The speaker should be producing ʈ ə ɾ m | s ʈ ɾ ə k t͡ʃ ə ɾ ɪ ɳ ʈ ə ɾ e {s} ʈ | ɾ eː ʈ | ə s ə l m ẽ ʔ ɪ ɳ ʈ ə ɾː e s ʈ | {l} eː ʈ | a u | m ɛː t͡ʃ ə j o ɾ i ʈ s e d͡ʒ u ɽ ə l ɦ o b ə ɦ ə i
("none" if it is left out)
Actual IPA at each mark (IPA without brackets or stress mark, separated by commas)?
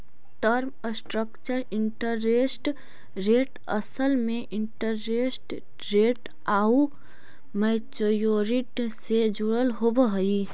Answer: s, ɾ